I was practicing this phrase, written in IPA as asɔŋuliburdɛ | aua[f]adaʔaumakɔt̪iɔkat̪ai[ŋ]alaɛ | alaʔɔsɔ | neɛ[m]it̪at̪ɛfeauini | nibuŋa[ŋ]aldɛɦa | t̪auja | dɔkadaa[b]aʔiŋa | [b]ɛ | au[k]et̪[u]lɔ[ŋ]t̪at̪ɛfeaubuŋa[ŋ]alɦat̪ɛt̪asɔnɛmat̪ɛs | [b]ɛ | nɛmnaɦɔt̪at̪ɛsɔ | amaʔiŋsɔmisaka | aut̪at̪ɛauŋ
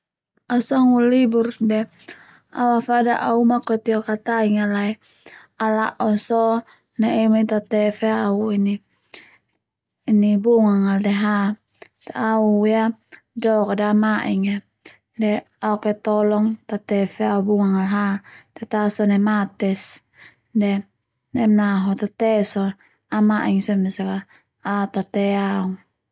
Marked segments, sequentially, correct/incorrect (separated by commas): correct, correct, correct, correct, incorrect, incorrect, correct, incorrect, correct, correct, incorrect